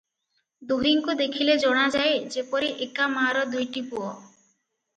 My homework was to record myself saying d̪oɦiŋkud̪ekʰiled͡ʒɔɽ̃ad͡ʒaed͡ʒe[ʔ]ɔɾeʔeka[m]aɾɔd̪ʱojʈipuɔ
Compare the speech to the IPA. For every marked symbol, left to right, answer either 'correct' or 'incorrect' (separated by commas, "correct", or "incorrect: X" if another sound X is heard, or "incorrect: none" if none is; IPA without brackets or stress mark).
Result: incorrect: p, correct